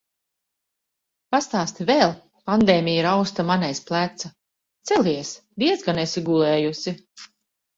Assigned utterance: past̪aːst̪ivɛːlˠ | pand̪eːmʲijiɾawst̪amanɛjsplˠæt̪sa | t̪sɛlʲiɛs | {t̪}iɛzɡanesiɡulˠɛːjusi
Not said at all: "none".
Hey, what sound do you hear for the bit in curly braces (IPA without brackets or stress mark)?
d̪